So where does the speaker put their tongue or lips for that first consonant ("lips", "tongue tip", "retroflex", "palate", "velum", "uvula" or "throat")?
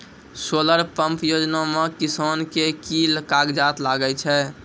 tongue tip